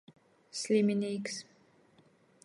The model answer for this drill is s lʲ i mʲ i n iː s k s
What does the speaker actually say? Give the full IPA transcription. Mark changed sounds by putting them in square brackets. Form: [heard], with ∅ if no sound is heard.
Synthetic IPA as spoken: s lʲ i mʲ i n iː [∅] k s